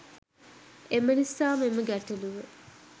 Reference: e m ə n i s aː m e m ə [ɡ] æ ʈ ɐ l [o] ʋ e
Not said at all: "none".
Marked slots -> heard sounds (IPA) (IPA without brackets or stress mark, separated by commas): ɡ, u